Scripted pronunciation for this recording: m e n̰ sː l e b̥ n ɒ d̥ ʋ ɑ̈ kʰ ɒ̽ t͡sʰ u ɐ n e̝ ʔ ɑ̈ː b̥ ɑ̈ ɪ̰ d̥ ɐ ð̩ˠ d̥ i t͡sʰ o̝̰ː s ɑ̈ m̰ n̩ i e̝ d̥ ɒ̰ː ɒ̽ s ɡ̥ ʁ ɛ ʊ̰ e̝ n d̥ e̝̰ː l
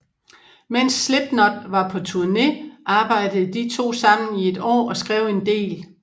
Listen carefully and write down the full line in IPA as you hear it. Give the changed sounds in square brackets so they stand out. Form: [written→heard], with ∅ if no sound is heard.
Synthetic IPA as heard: m e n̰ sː l e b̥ n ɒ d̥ ʋ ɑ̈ [kʰ→pʰ] ɒ̽ t͡sʰ u ɐ n e̝ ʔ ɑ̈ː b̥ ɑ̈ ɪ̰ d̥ [ɐ→ə] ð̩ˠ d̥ i t͡sʰ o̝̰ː s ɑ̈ m̰ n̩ i e̝ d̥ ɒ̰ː ɒ̽ s ɡ̥ ʁ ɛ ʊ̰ e̝ n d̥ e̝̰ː l